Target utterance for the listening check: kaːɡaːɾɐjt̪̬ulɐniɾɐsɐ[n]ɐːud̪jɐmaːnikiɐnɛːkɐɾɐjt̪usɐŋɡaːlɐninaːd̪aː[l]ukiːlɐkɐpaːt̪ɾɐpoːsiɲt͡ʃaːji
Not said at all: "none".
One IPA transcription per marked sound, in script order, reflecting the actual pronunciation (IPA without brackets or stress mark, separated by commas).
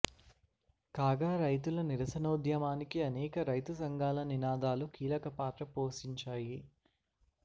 n, l